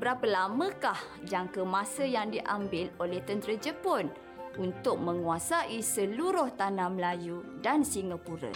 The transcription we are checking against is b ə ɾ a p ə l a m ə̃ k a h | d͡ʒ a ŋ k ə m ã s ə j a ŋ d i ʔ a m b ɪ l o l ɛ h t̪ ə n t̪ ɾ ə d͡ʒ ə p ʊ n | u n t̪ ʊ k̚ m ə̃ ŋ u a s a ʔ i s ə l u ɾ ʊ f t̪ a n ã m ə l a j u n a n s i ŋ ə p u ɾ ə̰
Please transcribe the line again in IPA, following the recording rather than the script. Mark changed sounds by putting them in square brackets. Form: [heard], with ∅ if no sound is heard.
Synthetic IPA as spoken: b ə ɾ a p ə l a m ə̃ k a h | d͡ʒ a ŋ k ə m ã s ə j a ŋ d i ʔ a m b ɪ l o l ɛ h t̪ ə n t̪ ɾ ə d͡ʒ ə p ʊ n | u n t̪ ʊ k̚ m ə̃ ŋ u a s a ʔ i s ə l u ɾ ʊ [h] t̪ a n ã m ə l a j u [d] a n s i ŋ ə p u ɾ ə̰